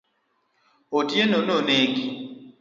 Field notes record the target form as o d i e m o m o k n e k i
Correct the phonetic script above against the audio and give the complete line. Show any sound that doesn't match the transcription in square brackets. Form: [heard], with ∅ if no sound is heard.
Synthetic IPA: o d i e [n] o [n] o [∅] n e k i